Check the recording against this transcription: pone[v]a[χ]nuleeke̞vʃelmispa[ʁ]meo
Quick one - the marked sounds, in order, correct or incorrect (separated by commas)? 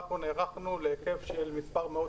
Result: incorrect, correct, correct